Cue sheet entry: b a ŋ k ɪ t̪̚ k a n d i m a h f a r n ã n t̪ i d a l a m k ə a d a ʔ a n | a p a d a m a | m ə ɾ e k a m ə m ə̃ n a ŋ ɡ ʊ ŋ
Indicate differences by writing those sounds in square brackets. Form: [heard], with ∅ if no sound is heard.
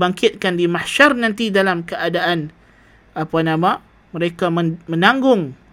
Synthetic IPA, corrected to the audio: b a ŋ k ɪ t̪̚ k a n d i m a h [ʃ] a r n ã n t̪ i d a l a m k ə a d a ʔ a n | a p a [n] a m a | m ə ɾ e k a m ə m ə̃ n a ŋ ɡ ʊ ŋ